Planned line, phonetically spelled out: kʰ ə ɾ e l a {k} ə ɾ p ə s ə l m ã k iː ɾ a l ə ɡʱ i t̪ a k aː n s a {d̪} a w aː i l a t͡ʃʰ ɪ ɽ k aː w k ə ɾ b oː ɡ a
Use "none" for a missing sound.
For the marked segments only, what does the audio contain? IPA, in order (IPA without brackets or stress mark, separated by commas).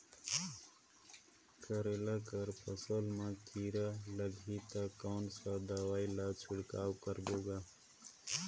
k, d̪